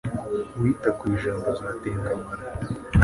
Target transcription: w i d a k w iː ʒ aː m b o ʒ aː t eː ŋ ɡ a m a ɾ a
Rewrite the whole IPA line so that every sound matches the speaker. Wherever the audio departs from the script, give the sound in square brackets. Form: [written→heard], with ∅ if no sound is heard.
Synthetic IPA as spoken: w i [d→t] a k w iː ʒ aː m b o [ʒ→z] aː t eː ŋ ɡ a m a ɾ a